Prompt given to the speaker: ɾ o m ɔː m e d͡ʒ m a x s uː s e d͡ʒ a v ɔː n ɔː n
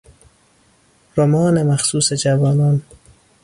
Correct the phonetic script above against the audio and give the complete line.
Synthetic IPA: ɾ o m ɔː n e m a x s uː s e d͡ʒ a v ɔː n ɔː n